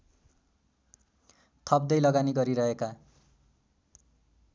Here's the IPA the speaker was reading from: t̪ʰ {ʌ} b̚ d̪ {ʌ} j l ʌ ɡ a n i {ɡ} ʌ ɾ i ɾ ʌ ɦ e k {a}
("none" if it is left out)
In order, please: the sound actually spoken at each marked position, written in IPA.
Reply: ʌ, ʌ, ɡ, a

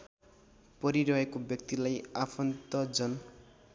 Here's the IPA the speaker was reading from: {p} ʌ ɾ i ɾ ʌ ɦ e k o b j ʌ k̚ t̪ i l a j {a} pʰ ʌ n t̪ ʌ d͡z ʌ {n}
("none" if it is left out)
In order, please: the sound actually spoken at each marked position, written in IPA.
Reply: p, a, n

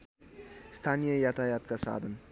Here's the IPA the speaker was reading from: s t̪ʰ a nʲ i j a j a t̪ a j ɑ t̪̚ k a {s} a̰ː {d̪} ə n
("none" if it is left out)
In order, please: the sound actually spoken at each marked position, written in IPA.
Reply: s, d̪

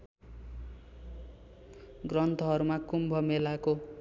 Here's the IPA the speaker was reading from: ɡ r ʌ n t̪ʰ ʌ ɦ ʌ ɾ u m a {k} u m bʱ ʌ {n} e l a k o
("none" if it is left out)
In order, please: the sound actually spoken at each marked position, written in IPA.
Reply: k, m

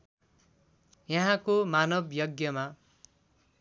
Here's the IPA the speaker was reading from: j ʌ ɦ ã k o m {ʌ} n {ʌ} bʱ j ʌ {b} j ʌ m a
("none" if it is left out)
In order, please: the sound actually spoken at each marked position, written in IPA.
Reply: a, ʌ, ɡ

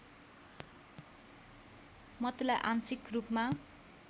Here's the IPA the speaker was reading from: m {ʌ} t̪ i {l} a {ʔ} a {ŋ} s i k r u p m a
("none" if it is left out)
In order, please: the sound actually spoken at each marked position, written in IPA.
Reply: ʌ, l, ʔ, n

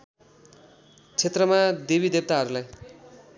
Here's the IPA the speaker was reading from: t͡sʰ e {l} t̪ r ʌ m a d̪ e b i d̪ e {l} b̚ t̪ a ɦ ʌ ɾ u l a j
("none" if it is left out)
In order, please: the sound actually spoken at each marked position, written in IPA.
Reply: none, none

